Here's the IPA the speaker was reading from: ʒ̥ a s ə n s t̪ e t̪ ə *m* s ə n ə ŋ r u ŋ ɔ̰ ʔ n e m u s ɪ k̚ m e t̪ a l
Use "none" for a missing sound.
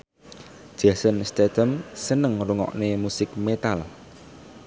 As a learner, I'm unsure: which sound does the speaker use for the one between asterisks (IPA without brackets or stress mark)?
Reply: m